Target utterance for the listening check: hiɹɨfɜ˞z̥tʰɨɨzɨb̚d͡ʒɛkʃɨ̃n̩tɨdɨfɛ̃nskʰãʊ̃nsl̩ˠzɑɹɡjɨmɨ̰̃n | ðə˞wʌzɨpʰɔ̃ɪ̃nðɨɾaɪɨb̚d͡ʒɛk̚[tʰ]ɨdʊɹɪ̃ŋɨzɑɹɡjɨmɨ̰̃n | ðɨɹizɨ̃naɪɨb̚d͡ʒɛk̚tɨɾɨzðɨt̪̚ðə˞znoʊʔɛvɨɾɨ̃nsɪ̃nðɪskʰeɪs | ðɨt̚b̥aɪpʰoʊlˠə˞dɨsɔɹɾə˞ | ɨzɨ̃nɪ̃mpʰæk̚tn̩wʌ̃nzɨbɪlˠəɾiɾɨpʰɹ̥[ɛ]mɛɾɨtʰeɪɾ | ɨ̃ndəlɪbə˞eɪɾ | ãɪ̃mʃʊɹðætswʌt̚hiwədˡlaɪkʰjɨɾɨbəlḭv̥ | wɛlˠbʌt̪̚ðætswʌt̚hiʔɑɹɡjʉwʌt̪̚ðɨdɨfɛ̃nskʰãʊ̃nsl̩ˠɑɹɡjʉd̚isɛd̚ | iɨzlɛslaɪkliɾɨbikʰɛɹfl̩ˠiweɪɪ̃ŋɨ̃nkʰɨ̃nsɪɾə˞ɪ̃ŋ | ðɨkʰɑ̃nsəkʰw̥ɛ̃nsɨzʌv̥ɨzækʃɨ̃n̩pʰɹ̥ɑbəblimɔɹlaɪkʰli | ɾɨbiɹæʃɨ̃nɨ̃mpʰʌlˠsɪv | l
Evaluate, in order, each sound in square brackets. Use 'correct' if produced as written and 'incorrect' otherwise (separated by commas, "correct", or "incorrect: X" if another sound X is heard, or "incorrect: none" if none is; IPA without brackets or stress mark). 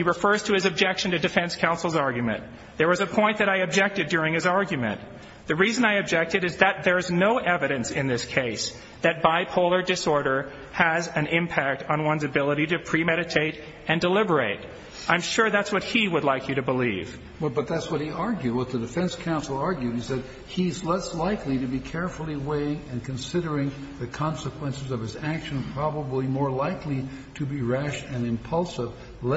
incorrect: t, incorrect: i